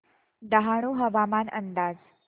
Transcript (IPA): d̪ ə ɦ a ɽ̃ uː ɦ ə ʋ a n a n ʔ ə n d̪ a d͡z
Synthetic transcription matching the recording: d̪ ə ɦ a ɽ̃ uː ɦ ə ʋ a m a n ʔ ə n d̪ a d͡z

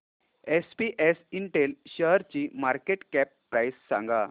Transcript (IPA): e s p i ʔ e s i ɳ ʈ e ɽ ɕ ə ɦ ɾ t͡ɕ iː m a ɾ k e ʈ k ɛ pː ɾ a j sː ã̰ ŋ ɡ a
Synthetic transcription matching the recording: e s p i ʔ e s i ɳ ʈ e l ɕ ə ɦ ɾ t͡ɕ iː m a ɾ k e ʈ k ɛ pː ɾ a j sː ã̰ ŋ ɡ a

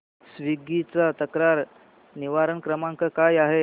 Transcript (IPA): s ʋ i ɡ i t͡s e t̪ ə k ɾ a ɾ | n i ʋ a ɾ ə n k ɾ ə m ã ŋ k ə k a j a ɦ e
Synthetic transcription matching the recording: s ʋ i ɡ i t͡s a t̪ ə k ɾ a ɾ | n i ʋ a ɾ ə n k ɾ ə m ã ŋ k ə k a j a ɦ e

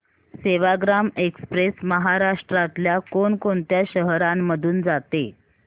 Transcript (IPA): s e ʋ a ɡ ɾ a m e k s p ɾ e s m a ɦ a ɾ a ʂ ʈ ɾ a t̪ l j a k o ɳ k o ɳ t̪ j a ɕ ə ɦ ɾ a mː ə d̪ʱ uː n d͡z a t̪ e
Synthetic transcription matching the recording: s e ʋ a ɡ ɾ a m e k s p ɾ e s m ə ɦ a ɾ a ʂ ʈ ɾ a t̪ l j a k o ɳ k o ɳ t̪ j a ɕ ə ɦ ɾ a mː ə d̪ʱ uː n d͡z a t̪ e

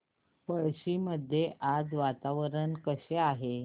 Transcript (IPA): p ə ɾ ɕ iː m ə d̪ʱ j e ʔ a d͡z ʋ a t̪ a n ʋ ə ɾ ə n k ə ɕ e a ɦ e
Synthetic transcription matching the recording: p ə ɭ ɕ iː m ə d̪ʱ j e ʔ a d͡z ʋ a t̪ a ʋ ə ɾ ə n k ə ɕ e a ɦ e

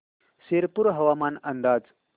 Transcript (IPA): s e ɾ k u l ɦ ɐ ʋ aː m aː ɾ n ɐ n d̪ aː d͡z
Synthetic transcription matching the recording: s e ɾ p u ɾ ɦ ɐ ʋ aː m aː n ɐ n d̪ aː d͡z

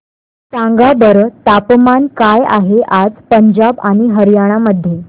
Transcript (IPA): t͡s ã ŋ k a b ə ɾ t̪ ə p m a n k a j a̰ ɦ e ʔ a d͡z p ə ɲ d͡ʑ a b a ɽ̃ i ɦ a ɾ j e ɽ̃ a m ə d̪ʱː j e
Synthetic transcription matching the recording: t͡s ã ŋ ɡ a b ə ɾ t̪ a p m a n k a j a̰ ɦ e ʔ a d͡z p ə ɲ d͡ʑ a b a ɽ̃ i ɦ ə ɾ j a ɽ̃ a m ə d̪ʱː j e

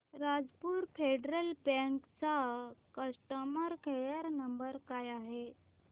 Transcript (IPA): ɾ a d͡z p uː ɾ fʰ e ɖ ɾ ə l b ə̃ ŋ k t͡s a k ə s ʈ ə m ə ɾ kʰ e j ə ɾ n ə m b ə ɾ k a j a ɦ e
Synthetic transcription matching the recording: ɾ a d͡z p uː ɾ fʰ e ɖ ɾ ə l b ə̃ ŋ k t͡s a k ə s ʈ ə m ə ɾ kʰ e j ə ɾ n ə m b ə ɾ k a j a ɦ e

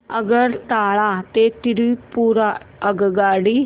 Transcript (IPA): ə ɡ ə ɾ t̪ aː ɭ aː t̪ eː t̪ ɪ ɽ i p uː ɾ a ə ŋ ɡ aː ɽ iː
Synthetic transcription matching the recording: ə ɡ ə ɾ t̪ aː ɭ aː t̪ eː t̪ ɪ ɾ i p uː ɾ a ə ɡ ɡ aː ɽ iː

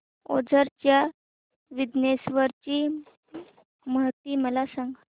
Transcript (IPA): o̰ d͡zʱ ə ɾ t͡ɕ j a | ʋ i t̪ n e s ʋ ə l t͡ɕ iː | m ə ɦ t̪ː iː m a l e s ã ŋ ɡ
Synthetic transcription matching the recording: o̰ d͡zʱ ə ɾ t͡ɕ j a | ʋ i d̪ n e s ʋ ə ɾ t͡ɕ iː | m ə ɦ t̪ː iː m ə l a s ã ŋ ɡ

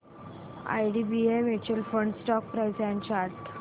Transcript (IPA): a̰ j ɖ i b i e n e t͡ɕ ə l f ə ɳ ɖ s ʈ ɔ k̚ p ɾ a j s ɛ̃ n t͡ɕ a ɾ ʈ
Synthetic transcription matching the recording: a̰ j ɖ i b i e m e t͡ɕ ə l f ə ɳ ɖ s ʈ ɔ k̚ p ɾ a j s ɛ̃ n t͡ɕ a ɾ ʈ

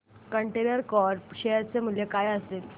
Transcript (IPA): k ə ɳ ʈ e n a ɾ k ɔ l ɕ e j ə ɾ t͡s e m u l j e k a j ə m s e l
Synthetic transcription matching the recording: k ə ɳ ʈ e n ə ɾ k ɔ ɾ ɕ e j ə ɾ t͡s e m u l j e k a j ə s e l

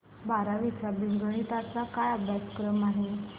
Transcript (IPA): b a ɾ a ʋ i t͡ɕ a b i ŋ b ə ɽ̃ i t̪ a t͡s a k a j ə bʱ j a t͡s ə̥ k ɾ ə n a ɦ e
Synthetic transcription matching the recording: b a ɾ a ʋ i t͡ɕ a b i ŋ ɡ ə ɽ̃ i t̪ a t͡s a k a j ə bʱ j a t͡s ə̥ k ɾ ə m a ɦ e

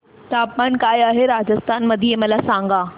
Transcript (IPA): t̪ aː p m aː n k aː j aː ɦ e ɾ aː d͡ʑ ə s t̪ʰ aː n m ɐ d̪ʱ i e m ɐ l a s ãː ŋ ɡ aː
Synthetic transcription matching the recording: t̪ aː p m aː n k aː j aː ɦ e ɾ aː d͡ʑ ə s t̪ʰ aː n m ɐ d̪ʱ i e m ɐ l a s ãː ŋ ɡ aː

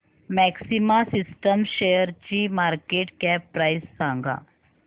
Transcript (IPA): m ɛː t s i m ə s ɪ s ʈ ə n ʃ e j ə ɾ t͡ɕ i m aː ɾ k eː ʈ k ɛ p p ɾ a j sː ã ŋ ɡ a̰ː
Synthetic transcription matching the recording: m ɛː k s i m a s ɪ s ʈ ə m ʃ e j ə ɾ t͡ɕ i m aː ɾ k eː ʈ k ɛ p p ɾ a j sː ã ŋ ɡ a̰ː

